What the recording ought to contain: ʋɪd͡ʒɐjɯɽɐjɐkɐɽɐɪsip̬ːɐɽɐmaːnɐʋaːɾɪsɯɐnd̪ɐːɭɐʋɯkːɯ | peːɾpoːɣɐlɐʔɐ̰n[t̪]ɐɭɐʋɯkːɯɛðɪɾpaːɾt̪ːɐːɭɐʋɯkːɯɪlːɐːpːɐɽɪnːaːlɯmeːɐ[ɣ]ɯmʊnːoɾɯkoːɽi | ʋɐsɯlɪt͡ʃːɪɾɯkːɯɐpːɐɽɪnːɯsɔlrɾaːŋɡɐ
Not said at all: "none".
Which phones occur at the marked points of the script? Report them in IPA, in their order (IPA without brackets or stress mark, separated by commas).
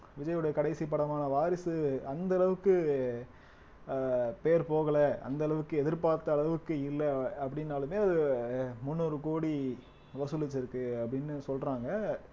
d̪, ð